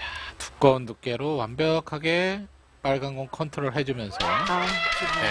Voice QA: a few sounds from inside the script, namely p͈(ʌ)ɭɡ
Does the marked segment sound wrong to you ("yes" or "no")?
yes